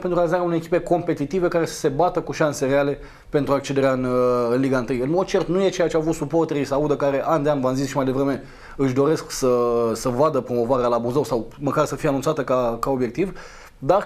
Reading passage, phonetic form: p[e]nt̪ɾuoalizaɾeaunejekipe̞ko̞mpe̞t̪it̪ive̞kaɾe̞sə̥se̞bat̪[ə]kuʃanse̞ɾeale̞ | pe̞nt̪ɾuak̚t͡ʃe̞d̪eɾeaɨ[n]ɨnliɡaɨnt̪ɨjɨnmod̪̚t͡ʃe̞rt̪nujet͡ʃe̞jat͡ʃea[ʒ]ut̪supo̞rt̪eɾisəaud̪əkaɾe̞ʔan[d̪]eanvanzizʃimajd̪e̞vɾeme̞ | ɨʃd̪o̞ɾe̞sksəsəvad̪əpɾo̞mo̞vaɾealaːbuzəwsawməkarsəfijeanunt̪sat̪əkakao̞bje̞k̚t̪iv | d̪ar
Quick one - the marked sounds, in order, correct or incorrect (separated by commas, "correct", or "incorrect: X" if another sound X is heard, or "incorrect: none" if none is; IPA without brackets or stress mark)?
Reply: correct, correct, correct, incorrect: v, correct